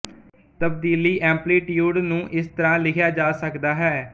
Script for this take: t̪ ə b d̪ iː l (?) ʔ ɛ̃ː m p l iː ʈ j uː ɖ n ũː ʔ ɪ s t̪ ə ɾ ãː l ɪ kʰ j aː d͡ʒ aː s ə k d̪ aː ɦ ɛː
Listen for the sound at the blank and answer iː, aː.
iː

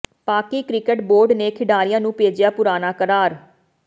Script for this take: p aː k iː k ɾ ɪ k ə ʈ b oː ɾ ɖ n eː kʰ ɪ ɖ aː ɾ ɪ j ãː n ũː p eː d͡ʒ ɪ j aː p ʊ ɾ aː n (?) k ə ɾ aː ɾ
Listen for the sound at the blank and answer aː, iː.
aː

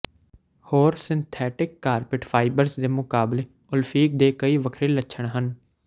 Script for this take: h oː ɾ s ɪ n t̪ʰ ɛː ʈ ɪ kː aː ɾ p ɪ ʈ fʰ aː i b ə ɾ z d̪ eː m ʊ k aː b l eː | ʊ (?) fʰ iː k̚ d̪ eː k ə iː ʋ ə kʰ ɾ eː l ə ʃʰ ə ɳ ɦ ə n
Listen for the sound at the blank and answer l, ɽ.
l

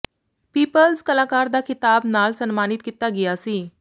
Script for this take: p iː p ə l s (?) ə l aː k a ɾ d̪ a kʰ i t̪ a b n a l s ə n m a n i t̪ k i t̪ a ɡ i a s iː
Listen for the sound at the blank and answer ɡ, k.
k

